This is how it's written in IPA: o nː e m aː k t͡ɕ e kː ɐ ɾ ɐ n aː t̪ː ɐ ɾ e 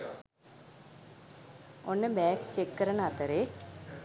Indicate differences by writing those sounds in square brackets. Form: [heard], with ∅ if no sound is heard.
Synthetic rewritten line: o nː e [b] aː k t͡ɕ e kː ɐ ɾ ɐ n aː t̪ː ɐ ɾ e